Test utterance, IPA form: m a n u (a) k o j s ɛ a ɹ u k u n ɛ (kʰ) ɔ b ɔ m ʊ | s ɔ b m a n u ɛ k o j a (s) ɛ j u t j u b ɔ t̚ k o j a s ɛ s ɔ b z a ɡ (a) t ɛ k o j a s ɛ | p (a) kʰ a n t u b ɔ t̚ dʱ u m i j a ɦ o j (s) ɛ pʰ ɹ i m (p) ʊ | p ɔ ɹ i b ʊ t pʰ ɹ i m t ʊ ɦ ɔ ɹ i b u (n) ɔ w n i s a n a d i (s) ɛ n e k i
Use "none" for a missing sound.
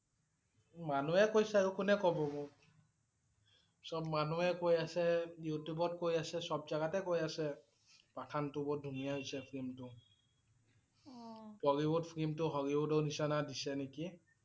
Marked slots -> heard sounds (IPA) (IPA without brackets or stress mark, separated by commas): ɛ, k, s, a, a, s, t, d, s